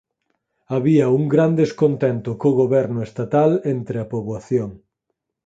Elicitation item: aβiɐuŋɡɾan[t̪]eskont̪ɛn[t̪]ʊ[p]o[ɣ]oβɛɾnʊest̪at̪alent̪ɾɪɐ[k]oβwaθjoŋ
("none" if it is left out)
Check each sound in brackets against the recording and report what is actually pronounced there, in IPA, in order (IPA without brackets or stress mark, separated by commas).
d̪, t̪, k, ɣ, p